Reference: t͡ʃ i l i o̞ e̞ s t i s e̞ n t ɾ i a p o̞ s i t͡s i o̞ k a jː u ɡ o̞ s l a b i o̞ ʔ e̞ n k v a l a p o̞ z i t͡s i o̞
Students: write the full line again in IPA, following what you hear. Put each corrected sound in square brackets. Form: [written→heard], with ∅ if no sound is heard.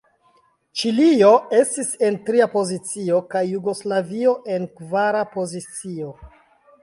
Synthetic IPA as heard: t͡ʃ i l i o̞ e̞ s t i s e̞ n t ɾ i a p o̞ [s→z] i t͡s i o̞ k a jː u ɡ o̞ s l a [b→v] i o̞ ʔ e̞ n k v a [l→ɾ] a p o̞ z i t͡s i o̞